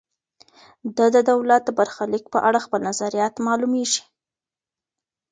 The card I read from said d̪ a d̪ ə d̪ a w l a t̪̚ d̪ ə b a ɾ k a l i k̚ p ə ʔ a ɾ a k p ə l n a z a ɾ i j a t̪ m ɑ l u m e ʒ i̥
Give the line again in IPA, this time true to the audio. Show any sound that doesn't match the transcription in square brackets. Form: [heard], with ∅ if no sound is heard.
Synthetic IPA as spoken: d̪ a d̪ ə d̪ a w l a t̪̚ d̪ ə b a ɾ [x] a l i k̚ p ə ʔ a [ɽ] a [x] p ə l n a z a ɾ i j [ɑ] t̪ m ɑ l u m e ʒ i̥

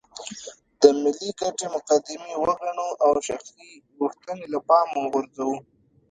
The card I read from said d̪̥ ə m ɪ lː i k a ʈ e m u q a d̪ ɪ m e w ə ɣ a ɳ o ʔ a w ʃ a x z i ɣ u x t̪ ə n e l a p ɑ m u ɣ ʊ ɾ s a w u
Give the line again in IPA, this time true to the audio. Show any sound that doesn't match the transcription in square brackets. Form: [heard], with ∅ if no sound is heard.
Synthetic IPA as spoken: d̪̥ ə m ɪ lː i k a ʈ e m [ʊ] q a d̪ ɪ m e w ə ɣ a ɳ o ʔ a w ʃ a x [s] i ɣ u x t̪ ə n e l a p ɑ m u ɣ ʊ ɾ [z] a w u

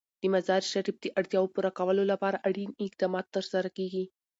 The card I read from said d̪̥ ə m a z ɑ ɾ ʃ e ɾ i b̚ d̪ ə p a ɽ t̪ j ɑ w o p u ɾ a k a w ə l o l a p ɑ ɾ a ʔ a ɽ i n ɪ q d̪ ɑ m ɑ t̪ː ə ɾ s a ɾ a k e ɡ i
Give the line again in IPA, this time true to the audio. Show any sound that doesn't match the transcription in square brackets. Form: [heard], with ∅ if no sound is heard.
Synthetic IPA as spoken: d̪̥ ə m a z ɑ ɾ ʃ [a] ɾ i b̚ d̪ ə [ʔ] a ɽ t̪ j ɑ w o p u ɾ a k a w ə l o l a p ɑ ɾ a ʔ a ɽ i n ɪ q d̪ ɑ m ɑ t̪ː ə ɾ s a ɾ a k e ɡ i

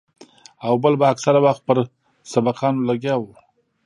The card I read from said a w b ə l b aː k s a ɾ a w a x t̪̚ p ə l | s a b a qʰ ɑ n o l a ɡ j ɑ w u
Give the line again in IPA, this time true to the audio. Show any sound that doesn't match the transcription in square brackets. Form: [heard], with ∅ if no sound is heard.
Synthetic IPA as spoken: a w b ə l b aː k s a ɾ a w a x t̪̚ p ə [ɾ] | s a b a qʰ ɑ n o l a ɡ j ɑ w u

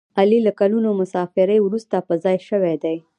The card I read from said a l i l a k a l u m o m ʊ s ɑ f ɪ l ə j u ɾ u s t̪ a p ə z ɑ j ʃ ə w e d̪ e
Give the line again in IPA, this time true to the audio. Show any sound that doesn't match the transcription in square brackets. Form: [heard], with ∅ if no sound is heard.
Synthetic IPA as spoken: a l i l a k a l u [n] o m ʊ s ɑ f ɪ [ɾ] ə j [w] ɾ u s t̪ a p ə z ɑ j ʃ ə w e d̪ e

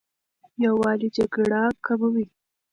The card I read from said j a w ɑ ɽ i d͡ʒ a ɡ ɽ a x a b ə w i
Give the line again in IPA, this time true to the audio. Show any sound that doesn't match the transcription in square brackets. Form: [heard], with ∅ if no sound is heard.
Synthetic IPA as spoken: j a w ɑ [l] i d͡ʒ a ɡ ɽ a [k] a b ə w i

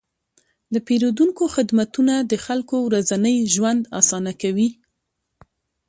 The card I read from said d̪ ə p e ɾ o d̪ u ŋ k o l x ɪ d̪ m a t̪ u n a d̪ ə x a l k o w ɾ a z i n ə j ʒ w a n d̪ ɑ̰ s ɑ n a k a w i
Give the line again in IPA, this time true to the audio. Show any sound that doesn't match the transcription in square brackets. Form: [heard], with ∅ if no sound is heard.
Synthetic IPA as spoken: d̪ ə p e ɾ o d̪ u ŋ k o [∅] x ɪ d̪ m a t̪ u n a d̪ ə x a l k o w ɾ a z [a] n ə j ʒ w a n d̪ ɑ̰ s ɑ n a k a w i

